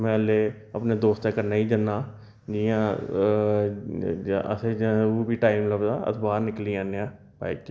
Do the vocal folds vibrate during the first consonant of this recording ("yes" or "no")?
yes